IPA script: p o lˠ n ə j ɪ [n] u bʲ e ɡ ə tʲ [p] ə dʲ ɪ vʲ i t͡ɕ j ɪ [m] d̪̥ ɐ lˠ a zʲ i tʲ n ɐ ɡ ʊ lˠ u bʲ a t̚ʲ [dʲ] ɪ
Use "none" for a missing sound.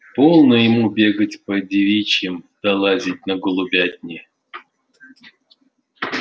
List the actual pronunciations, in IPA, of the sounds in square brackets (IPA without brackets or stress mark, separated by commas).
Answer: m, p, m, nʲ